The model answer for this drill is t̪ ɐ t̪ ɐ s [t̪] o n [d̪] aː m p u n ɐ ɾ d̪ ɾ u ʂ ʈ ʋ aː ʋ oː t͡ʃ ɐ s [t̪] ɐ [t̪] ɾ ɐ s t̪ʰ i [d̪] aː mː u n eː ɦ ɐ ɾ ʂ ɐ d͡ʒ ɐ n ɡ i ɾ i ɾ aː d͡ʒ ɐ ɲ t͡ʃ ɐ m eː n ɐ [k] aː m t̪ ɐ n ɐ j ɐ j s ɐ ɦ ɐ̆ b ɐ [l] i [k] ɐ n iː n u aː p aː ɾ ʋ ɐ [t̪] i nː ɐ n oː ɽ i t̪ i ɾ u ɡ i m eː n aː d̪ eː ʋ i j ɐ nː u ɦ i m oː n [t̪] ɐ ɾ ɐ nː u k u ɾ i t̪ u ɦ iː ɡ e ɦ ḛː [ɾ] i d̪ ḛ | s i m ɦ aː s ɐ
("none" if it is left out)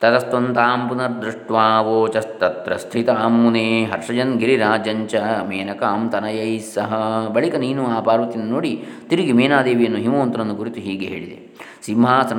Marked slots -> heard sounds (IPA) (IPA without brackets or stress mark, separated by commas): t̪, t̪, t̪, t̪, t̪, k, ɭ, k, t̪, t̪, ɭ